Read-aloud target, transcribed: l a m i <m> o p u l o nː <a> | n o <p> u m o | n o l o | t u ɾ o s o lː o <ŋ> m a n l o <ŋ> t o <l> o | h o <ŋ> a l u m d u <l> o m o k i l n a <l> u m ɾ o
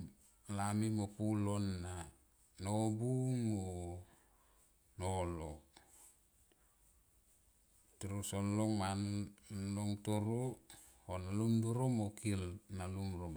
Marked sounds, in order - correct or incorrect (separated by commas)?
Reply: correct, correct, incorrect, correct, correct, incorrect, incorrect, incorrect, correct